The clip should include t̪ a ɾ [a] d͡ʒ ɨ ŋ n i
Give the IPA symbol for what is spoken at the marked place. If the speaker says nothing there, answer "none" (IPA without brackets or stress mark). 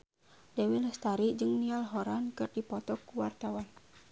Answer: i